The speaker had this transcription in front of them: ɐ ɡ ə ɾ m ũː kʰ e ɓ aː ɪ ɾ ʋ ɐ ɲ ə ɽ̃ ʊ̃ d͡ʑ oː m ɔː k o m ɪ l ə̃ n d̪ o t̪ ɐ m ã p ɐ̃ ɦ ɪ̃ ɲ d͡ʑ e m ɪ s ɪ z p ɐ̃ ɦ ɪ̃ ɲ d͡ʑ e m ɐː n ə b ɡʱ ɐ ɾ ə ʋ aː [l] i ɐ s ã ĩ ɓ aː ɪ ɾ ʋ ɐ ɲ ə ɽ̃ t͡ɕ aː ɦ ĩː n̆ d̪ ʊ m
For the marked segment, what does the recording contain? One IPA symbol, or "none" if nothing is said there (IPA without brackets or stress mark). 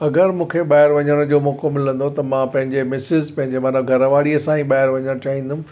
ɽ